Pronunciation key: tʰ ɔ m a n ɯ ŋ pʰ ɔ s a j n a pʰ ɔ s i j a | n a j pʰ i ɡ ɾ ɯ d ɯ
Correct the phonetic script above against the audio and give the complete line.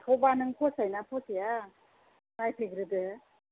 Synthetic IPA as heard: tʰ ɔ b a n ɯ ŋ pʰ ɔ s a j n a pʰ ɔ s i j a | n a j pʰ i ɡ ɾ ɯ d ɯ